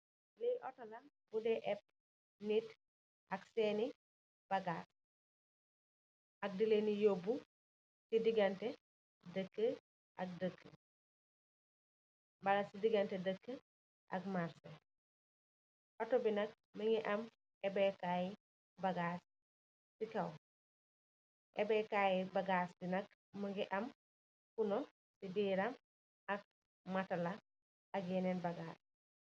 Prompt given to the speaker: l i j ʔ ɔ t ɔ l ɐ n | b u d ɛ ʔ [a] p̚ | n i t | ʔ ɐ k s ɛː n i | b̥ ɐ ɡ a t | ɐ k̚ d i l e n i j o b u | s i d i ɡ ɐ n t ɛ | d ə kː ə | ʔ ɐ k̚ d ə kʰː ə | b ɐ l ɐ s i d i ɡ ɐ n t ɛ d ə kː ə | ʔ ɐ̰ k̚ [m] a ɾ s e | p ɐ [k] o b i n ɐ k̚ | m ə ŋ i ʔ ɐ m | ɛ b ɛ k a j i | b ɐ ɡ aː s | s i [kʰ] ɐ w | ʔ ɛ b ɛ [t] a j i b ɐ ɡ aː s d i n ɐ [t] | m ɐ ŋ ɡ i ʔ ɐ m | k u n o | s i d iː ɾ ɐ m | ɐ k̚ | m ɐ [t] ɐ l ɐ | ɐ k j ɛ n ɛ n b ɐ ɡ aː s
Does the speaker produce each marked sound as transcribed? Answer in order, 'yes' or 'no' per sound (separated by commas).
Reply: no, yes, no, no, no, no, yes